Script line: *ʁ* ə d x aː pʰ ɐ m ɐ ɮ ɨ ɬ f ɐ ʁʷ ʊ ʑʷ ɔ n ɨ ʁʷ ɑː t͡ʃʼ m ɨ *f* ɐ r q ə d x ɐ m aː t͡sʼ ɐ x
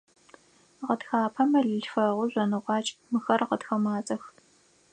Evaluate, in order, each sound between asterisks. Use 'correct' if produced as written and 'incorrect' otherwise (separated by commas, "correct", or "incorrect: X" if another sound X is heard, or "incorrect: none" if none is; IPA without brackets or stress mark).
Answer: correct, incorrect: x